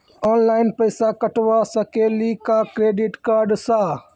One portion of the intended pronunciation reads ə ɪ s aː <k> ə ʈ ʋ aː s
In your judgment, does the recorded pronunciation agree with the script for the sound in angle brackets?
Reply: yes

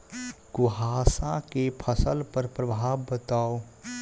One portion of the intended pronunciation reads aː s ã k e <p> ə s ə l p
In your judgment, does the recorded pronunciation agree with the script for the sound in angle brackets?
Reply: no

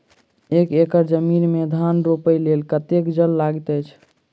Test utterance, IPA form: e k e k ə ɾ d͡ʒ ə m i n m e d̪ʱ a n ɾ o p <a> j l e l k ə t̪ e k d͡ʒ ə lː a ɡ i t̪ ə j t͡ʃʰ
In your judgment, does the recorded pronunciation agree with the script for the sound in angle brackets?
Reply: no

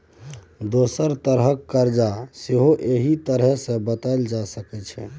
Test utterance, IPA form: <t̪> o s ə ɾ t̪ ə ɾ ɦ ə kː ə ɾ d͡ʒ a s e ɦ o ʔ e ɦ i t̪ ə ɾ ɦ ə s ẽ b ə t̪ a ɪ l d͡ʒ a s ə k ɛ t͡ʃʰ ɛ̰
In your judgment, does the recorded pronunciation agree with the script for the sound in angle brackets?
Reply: no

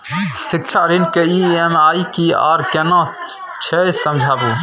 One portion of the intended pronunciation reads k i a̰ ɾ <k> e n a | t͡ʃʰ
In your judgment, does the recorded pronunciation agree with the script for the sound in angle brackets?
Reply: yes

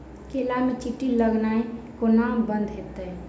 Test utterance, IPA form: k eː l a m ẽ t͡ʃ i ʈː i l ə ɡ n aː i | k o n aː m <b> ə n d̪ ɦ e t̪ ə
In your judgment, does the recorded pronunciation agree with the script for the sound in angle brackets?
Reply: yes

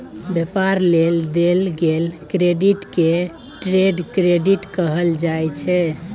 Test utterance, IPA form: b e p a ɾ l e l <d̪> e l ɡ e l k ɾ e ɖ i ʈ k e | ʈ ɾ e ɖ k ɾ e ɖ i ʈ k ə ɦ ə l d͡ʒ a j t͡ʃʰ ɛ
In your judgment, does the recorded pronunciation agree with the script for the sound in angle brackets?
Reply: yes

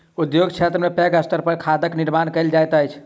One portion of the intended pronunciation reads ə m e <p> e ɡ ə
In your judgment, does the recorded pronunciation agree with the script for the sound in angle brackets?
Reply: yes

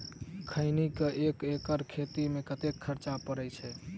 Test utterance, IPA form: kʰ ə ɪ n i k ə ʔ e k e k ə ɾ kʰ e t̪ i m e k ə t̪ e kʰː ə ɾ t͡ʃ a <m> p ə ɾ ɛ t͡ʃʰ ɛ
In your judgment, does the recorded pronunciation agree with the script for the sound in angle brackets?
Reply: no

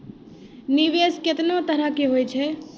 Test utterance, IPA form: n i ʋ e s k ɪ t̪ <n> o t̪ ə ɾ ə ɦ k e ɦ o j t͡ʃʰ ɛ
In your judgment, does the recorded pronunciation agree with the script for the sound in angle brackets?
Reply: yes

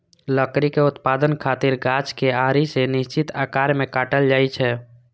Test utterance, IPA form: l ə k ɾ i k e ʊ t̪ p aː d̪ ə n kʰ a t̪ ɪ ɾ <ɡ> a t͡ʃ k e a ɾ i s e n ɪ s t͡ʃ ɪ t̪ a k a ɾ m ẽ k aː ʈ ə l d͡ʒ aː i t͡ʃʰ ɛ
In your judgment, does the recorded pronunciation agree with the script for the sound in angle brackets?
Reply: yes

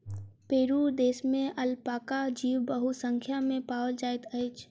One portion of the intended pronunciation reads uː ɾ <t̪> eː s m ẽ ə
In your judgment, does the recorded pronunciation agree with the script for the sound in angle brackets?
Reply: no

